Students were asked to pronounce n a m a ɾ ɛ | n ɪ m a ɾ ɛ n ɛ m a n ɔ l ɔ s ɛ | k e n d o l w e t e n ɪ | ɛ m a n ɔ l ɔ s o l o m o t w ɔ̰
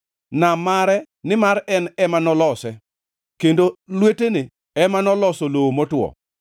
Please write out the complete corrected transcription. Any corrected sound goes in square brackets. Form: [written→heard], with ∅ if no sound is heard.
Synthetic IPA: n a m a ɾ ɛ | n ɪ m a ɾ ɛ n ɛ m a n ɔ l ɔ s ɛ | k e n d o l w e t e n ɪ | ɛ m a n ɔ l ɔ s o l o m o t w ɔ̰